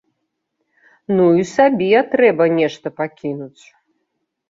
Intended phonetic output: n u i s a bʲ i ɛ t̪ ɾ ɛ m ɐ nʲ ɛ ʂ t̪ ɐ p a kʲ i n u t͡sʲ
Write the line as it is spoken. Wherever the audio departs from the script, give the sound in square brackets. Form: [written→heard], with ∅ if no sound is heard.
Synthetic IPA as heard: n u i s a bʲ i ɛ t̪ ɾ ɛ [m→b] ɐ nʲ ɛ ʂ t̪ ɐ p a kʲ i n u t͡sʲ